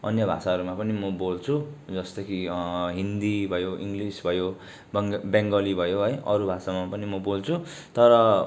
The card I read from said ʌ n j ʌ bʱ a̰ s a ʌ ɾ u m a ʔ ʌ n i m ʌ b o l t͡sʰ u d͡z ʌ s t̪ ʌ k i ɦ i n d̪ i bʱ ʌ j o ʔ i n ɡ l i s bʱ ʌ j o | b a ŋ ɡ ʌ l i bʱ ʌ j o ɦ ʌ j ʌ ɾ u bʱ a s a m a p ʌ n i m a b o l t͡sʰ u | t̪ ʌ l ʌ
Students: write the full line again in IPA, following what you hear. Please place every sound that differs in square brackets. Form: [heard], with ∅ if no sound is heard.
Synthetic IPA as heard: ʌ n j ʌ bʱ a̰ s a ʌ ɾ u m a [p] ʌ n i m ʌ b o l t͡sʰ u d͡z ʌ s t̪ ʌ k i ɦ i n d̪ i bʱ ʌ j o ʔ i [ŋ] ɡ l i s bʱ ʌ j o | b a ŋ ɡ ʌ l i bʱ ʌ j o ɦ ʌ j ʌ ɾ u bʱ a s a m a p ʌ n i m [ʌ] b o l t͡sʰ u | t̪ ʌ [ɾ] ʌ

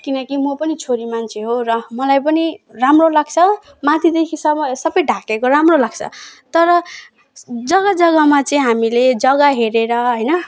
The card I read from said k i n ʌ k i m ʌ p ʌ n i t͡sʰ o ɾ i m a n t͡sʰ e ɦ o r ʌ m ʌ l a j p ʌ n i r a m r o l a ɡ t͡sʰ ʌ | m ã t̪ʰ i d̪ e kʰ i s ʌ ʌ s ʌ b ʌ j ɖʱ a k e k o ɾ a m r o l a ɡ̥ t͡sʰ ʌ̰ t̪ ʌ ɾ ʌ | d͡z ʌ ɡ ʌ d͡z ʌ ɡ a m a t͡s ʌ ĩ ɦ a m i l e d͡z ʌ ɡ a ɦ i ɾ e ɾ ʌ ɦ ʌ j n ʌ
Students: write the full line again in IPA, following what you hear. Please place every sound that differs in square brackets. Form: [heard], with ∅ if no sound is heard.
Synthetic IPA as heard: k i n ʌ k i m ʌ p ʌ n i t͡sʰ o ɾ i m a n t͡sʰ e ɦ o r ʌ m ʌ l a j p ʌ n i r a m r o l a ɡ t͡sʰ ʌ | m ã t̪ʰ i d̪ e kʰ i s ʌ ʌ s ʌ b ʌ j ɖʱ a k e k o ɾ a m r o l a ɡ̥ t͡sʰ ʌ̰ t̪ ʌ ɾ ʌ | d͡z ʌ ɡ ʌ d͡z ʌ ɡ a m a t͡s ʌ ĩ ɦ a m i l e d͡z ʌ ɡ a ɦ [e] ɾ e ɾ ʌ ɦ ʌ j n ʌ

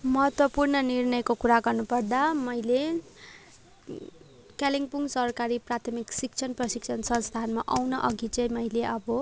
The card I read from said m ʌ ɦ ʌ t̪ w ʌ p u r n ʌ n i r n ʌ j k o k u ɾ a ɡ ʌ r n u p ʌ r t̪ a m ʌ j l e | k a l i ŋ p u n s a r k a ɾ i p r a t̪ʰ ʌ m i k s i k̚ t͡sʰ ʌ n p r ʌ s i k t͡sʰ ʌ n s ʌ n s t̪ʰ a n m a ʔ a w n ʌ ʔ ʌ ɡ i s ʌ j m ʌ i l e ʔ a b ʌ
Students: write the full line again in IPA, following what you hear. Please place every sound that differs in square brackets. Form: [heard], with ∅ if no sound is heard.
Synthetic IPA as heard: m ʌ ɦ ʌ t̪ w ʌ p u r n ʌ n i r n ʌ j k o k u ɾ a ɡ ʌ r n u p ʌ r [d̪] a m ʌ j l e | k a l i ŋ p u [ŋ] s [ʌ] r k a ɾ i p r a t̪ʰ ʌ m i k s i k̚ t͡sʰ ʌ n p r ʌ s i k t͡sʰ ʌ n s ʌ n s t̪ʰ a n m a ʔ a w n ʌ ʔ ʌ ɡ i [t͡s] ʌ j m ʌ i l e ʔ [ʌ] b ʌ

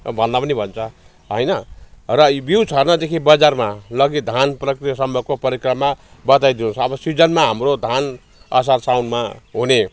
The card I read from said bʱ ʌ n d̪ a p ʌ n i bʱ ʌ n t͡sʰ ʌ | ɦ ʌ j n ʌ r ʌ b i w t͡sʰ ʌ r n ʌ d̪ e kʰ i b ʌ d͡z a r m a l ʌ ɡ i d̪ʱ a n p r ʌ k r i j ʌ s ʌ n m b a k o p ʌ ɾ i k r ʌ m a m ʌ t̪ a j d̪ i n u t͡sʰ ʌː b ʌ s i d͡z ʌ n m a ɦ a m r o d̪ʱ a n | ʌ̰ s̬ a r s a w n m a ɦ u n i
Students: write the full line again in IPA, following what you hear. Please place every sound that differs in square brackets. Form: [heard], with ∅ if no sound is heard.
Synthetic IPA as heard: bʱ ʌ n d̪ a p ʌ n i bʱ ʌ n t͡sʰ ʌ | ɦ ʌ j n ʌ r ʌ b i w t͡sʰ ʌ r n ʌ d̪ e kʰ i b ʌ d͡z a r m a l ʌ ɡ i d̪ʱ a n p r ʌ k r i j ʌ s ʌ [∅] m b [ʌ] k o p ʌ ɾ i k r ʌ m a [b] ʌ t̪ a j d̪ i n u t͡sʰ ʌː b ʌ s i d͡z ʌ n m a ɦ a m r o d̪ʱ a n | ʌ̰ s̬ a r s a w n m a ɦ u n [e]

